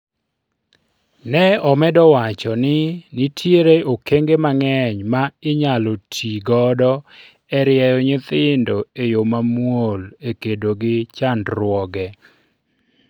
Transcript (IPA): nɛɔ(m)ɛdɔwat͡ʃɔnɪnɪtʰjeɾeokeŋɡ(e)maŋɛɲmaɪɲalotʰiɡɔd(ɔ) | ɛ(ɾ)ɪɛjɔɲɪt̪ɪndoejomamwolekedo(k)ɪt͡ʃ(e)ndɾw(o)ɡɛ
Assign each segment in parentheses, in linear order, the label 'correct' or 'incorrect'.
correct, correct, correct, correct, incorrect: ɡ, incorrect: a, incorrect: ɔ

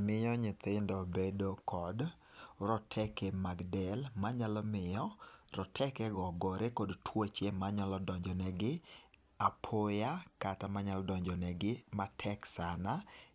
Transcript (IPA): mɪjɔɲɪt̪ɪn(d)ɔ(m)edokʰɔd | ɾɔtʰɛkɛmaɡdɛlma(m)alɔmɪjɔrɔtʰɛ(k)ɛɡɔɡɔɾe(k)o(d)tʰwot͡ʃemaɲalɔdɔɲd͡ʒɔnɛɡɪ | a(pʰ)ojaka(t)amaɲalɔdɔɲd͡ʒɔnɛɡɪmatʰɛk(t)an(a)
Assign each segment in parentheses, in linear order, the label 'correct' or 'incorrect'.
correct, incorrect: b, incorrect: ɲ, correct, correct, correct, correct, correct, incorrect: s, correct

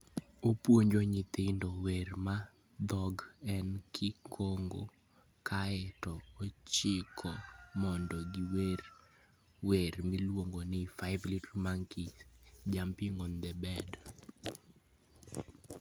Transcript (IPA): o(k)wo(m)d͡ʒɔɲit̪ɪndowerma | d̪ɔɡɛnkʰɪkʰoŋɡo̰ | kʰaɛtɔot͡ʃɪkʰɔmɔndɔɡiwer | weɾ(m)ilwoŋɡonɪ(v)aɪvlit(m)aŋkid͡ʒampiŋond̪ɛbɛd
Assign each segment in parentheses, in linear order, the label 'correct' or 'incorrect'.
incorrect: p, incorrect: ɲ, correct, incorrect: f, correct

